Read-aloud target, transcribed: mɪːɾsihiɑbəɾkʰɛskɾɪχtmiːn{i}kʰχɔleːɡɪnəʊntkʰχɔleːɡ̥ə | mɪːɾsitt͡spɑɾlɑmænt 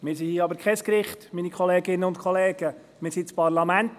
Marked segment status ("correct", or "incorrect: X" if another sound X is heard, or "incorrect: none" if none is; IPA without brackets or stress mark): correct